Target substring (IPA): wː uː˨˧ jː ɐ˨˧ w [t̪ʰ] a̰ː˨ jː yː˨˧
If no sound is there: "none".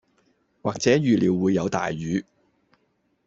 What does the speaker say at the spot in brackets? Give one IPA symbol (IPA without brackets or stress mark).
t̪